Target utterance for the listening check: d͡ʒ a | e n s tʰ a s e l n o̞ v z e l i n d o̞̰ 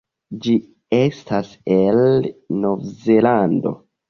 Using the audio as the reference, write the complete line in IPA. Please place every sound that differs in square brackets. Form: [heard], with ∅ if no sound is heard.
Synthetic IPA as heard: d͡ʒ [i] | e [∅] s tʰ a s e l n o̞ v z e l [a] n d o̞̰